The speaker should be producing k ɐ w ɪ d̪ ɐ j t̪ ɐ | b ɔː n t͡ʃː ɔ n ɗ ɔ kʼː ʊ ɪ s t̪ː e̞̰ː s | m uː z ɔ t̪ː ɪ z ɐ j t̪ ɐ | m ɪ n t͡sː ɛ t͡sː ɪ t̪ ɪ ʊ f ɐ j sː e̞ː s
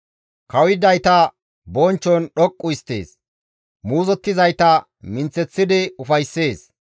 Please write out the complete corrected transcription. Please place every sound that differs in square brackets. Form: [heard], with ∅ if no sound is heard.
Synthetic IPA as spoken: k ɐ w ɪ d̪ ɐ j t̪ ɐ | b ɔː n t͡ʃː ɔ n ɗ ɔ kʼː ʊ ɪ s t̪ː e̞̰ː s | m uː z ɔ t̪ː ɪ z ɐ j t̪ ɐ | m ɪ n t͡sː ɛ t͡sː ɪ [d̪] ɪ ʊ f ɐ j sː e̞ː s